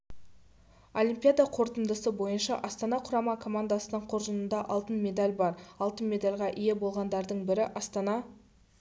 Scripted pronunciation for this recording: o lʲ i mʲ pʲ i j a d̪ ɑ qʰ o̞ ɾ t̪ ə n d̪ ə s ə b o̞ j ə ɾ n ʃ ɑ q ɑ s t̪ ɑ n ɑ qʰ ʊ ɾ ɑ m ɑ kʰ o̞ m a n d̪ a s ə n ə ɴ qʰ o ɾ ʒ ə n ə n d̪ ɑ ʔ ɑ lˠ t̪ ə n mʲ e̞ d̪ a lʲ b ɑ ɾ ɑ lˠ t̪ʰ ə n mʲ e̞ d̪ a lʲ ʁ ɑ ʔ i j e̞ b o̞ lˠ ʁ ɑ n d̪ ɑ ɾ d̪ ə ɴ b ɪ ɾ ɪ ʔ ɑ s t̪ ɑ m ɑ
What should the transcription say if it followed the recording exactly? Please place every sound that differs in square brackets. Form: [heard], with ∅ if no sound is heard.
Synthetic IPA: o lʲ i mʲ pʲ i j a d̪ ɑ qʰ o̞ ɾ t̪ ə n d̪ ə s ə b o̞ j ə [∅] n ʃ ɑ [ʔ] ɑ s t̪ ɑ n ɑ qʰ ʊ ɾ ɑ m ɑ kʰ o̞ m a n d̪ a s ə n ə ɴ qʰ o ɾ ʒ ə n ə n d̪ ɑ ʔ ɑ lˠ t̪ ə n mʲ e̞ d̪ a lʲ b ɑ ɾ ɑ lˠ [t̪] ə n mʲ e̞ d̪ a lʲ ʁ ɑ ʔ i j e̞ b o̞ lˠ ʁ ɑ n d̪ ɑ ɾ d̪ ə ɴ b ɪ ɾ ɪ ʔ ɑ s t̪ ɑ [n] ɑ